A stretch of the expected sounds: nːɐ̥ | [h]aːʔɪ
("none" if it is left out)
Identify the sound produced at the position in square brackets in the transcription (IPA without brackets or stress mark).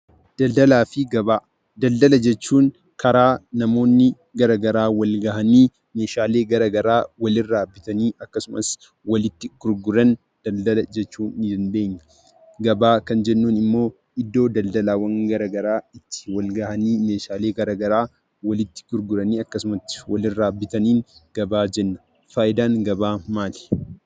f